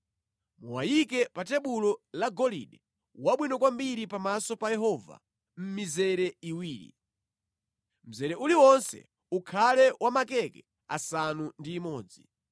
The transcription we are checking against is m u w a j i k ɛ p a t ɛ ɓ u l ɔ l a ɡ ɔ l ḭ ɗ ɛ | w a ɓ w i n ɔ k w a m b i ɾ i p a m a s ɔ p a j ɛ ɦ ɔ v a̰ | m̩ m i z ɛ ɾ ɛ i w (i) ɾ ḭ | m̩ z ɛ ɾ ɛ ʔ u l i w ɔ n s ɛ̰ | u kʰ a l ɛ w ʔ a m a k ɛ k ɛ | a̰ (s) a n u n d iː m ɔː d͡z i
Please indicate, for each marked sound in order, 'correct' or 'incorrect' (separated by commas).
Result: incorrect, correct